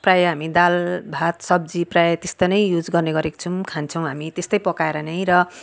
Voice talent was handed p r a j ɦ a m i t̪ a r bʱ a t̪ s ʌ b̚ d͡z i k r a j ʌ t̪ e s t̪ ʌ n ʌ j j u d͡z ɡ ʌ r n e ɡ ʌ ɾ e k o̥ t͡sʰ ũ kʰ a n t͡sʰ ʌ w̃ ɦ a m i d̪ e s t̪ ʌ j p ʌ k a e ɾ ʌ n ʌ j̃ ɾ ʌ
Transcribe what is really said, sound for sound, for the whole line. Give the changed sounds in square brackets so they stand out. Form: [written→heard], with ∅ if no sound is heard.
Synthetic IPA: p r a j ɦ a m i [t̪→d̪] a [r→l] bʱ a t̪ s ʌ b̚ d͡z i [k→p] r a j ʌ t̪ e s t̪ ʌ n ʌ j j u d͡z ɡ ʌ r n e ɡ ʌ ɾ e k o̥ t͡sʰ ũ kʰ a n t͡sʰ ʌ w̃ ɦ a m i [d̪→t̪] e s t̪ ʌ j p ʌ k a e ɾ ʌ n ʌ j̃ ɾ ʌ